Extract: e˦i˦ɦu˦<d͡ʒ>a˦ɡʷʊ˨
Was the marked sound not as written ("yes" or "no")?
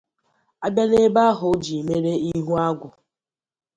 yes